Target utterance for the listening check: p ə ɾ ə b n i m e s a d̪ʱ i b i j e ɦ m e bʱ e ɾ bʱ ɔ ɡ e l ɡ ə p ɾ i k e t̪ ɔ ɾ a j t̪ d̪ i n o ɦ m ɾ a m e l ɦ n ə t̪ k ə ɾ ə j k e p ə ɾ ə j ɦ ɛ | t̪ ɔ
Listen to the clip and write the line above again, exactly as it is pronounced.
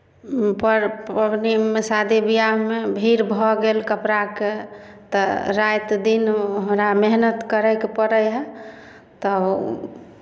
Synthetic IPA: p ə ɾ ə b n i m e s a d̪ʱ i b i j a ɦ m e bʱ i ɾ bʱ ɔ ɡ e l k ə p ɾ a k e t̪ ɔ ɾ a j t̪ d̪ i n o ɦ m ɾ a m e ɦ n ə t̪ k ə ɾ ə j k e p ə ɾ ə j ɦ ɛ | t̪ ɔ

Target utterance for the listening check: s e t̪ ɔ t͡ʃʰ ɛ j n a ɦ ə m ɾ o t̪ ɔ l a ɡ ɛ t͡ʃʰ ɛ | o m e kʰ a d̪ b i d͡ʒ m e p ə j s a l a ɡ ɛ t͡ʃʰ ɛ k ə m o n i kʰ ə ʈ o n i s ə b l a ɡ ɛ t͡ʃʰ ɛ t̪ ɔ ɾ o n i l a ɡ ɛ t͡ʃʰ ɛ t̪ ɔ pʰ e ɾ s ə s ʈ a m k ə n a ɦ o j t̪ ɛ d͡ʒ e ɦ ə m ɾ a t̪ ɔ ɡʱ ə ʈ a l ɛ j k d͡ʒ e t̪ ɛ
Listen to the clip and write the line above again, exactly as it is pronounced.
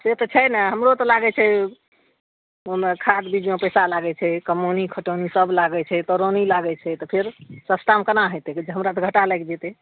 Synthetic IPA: s e t̪ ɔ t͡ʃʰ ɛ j n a ɦ ə m ɾ o t̪ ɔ l a ɡ ɛ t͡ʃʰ ɛ | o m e kʰ a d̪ b i d͡ʒ m e p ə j s a l a ɡ ɛ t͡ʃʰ ɛ k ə m o n i kʰ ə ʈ o n i s ə b l a ɡ ɛ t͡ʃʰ ɛ t̪ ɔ ɾ o n i l a ɡ ɛ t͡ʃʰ ɛ t̪ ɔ pʰ e ɾ s ə s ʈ a m k ə n a ɦ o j t̪ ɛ d͡ʒ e ɦ ə m ɾ a t̪ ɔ ɡʱ ə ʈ a l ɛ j k d͡ʒ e t̪ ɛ

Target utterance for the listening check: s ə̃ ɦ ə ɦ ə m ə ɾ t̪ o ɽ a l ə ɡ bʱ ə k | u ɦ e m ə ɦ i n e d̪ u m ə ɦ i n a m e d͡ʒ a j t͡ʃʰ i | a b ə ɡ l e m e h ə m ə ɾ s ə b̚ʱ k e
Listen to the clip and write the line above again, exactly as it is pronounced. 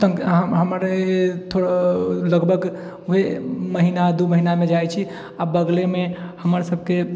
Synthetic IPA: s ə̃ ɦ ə ɦ ə m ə ɾ t̪ʰ o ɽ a l ə ɡ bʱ ə ɡ | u ɦ e m ə ɦ i n a d̪ u m ə ɦ i n a m e d͡ʒ a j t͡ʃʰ i | a b ə ɡ l e m e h ə m ə ɾ s ə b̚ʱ k e

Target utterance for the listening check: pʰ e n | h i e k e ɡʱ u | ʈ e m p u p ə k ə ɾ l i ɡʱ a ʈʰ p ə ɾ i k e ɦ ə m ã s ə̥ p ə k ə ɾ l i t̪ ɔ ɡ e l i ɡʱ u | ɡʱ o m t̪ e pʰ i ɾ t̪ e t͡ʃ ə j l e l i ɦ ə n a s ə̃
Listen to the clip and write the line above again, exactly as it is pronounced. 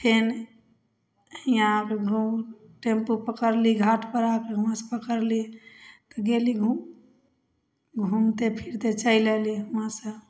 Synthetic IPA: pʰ e n | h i a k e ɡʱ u | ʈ e m p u p ə k ə ɾ l i ɡʱ a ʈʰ p ə ɾ a k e ɦ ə m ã s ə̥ p ə k ə ɾ l i t̪ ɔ ɡ e l i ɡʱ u | ɡʱ u m t̪ e pʰ i ɾ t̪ e t͡ʃ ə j l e l i ɦ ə m a s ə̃

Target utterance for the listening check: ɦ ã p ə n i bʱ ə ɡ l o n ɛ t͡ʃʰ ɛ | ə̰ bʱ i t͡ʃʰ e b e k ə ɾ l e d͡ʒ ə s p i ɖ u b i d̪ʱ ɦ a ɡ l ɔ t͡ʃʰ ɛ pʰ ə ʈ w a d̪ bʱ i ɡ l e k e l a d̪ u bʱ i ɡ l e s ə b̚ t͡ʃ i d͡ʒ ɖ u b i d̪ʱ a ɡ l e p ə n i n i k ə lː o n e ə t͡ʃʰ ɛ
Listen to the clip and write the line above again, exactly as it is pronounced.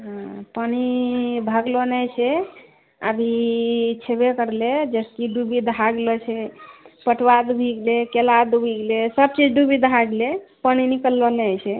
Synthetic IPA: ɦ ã p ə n i bʱ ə ɡ l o n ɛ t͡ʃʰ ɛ | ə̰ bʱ i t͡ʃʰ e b e k ə ɾ l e d͡ʒ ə s k i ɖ u b i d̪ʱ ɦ a ɡ l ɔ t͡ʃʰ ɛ p ə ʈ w a d̪ bʱ i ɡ l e k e l a d̪ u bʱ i ɡ l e s ə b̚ t͡ʃ i d͡ʒ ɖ u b i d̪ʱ a ɡ l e p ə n i n i k ə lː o n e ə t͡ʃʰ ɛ

